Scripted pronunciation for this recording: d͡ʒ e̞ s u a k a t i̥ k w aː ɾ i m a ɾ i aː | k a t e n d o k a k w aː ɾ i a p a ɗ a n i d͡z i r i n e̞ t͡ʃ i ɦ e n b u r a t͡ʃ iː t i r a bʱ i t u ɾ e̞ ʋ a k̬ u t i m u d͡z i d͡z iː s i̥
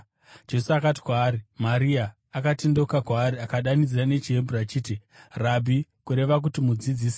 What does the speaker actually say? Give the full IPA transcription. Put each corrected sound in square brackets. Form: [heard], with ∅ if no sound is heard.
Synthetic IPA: d͡ʒ e̞ s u a k a t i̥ k w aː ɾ i m a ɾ i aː | k a t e n d o k a k w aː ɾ i a [k] a ɗ a n i d͡z i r [a] n e̞ t͡ʃ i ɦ e [m] b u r a t͡ʃ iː t i r a bʱ i [k] u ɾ e̞ ʋ a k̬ u t i m u d͡z i d͡z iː s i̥